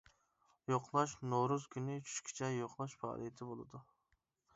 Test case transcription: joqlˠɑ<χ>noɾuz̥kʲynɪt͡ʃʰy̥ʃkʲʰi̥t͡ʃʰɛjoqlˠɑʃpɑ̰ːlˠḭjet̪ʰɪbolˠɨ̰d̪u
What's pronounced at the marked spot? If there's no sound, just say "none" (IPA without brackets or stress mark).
ʃ